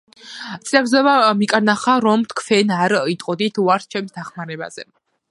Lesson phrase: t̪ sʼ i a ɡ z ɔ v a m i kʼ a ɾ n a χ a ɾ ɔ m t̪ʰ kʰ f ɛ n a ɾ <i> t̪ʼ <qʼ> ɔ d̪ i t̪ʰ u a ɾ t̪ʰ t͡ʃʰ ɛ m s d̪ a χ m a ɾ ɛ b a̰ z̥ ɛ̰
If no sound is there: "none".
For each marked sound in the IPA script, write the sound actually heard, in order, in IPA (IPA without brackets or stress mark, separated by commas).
i, qʼ